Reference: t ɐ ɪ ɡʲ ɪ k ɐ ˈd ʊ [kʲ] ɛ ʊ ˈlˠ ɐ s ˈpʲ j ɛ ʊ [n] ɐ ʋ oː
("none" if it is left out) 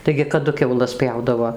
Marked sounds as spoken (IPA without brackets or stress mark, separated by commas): kʲ, d